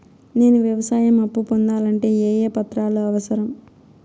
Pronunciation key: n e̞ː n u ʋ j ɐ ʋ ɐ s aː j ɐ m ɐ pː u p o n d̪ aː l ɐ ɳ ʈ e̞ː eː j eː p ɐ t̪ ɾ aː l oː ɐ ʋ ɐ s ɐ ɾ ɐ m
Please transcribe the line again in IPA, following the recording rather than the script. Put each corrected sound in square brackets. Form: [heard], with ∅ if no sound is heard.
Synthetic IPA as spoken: n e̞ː n u ʋ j ɐ ʋ ɐ s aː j ɐ m ɐ pː u p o n d̪ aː l ɐ ɳ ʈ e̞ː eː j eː p ɐ t̪ ɾ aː l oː ɐ ʋ ɐ s ɐ ɾ ɐ m